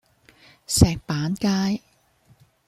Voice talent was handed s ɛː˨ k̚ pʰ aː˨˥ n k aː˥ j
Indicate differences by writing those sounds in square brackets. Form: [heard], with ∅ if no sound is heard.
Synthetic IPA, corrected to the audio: s ɛː˨ k̚ [p] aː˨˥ n k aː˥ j